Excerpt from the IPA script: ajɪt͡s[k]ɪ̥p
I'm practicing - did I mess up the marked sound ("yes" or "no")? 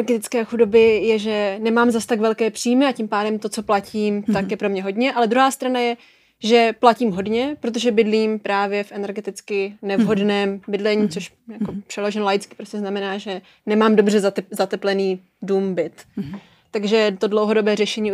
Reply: no